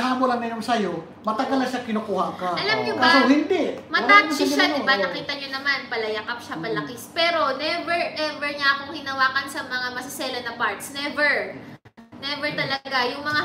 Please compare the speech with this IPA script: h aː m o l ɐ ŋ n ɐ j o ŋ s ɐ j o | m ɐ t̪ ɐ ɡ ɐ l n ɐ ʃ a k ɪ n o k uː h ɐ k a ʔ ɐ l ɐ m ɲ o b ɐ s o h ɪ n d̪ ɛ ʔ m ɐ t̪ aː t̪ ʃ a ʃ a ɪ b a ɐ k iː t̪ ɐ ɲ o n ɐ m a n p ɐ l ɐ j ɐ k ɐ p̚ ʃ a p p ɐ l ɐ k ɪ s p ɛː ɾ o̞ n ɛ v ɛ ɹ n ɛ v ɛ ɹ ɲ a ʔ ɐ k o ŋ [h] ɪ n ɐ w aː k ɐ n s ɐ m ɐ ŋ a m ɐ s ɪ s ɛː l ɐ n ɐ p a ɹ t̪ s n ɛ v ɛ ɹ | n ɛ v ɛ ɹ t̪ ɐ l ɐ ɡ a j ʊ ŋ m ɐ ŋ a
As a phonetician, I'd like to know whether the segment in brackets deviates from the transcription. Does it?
no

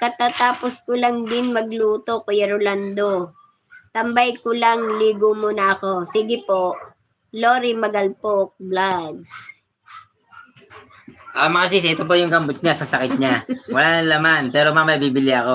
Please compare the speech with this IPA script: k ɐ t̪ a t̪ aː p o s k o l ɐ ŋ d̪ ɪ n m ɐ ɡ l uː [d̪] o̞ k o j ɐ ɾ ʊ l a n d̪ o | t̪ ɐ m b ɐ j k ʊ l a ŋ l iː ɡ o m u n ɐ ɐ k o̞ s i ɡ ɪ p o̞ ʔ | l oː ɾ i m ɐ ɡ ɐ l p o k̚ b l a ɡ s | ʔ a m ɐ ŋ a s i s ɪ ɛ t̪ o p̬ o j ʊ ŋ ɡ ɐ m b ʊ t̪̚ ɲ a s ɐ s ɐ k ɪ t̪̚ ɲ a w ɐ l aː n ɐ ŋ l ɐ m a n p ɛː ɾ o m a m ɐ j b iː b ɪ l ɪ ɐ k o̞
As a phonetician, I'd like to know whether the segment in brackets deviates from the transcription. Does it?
yes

